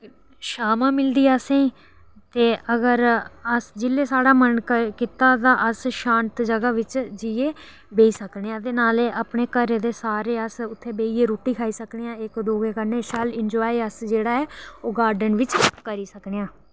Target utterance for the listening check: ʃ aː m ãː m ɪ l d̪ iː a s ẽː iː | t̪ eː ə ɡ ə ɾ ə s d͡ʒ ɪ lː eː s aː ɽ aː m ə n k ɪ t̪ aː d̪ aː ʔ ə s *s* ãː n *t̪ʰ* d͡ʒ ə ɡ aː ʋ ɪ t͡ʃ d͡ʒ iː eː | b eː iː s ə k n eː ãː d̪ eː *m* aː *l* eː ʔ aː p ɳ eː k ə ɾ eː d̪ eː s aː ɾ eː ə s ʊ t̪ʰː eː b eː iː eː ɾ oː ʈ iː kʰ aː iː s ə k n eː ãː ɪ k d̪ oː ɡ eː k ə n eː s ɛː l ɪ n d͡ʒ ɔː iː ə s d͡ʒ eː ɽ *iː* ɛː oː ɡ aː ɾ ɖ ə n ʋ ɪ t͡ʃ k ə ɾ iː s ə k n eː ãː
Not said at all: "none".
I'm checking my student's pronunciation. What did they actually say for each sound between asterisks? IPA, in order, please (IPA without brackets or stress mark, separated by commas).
ʃ, t̪, n, l, aː